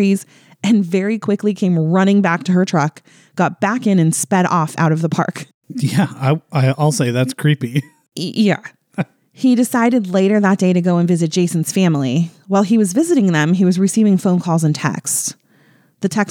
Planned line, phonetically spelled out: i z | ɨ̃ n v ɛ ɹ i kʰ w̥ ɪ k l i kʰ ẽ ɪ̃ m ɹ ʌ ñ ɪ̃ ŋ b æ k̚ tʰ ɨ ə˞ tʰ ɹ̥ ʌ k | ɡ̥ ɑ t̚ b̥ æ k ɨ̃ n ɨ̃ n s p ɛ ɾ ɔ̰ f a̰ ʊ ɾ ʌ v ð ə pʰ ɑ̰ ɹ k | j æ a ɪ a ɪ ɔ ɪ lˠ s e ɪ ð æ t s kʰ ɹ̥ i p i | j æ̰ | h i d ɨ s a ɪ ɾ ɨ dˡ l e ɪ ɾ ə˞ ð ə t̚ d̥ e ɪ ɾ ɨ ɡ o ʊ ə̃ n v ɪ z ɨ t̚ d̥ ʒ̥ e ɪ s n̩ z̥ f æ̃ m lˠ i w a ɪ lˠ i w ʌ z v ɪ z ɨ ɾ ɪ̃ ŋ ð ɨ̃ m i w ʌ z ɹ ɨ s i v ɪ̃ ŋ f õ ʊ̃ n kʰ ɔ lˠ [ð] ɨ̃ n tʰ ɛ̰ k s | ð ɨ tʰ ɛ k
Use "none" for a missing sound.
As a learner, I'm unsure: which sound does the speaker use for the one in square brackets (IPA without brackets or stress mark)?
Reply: z